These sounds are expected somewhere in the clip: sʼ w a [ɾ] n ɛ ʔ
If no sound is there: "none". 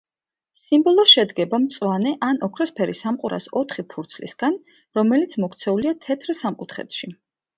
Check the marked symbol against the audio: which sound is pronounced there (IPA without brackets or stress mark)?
none